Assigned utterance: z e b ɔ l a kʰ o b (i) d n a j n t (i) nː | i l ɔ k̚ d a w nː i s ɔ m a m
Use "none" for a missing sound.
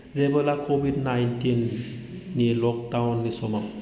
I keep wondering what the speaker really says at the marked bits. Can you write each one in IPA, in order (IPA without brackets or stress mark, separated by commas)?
i, i